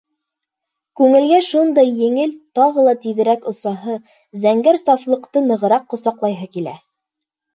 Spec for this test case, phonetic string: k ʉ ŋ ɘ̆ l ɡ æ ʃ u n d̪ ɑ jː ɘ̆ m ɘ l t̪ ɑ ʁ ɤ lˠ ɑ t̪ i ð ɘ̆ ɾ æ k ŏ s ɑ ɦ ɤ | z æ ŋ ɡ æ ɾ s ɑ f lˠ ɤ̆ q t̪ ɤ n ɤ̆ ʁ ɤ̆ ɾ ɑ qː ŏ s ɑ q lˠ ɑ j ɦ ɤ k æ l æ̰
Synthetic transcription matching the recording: k ʉ ŋ ɘ̆ l ɡ æ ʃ u n d̪ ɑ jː ɘ̆ ŋ ɘ l t̪ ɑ ʁ ɤ lˠ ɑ t̪ i ð ɘ̆ ɾ æ k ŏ s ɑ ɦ ɤ | z æ ŋ ɡ æ ɾ s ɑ f lˠ ɤ̆ q t̪ ɤ n ɤ̆ ʁ ɤ̆ ɾ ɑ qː ŏ s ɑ q lˠ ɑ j ɦ ɤ k i l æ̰